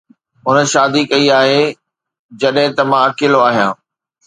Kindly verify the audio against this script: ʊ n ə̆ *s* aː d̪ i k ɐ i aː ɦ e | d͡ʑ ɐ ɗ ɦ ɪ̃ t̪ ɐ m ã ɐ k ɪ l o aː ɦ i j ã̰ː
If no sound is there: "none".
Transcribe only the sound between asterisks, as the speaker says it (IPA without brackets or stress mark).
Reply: ʃ